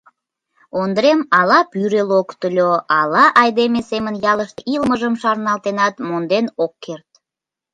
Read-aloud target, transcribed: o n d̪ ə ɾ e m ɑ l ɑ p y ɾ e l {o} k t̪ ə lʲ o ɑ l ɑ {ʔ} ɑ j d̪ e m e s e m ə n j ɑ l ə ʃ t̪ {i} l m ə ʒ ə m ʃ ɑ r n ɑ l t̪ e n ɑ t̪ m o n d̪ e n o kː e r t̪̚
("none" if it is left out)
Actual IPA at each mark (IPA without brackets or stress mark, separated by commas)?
o, ʔ, i